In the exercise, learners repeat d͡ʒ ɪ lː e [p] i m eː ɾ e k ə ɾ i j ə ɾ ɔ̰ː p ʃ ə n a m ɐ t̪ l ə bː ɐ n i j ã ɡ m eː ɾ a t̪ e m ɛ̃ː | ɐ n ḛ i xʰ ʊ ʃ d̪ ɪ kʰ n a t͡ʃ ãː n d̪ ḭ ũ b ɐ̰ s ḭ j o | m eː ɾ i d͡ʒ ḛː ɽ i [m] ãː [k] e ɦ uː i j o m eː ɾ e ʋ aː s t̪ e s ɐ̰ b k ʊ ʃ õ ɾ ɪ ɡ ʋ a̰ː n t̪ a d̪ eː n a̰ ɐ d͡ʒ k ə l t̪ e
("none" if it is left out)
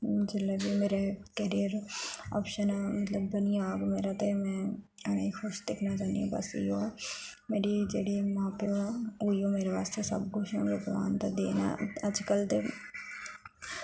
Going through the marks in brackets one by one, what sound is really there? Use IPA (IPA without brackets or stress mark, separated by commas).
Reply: b, m, p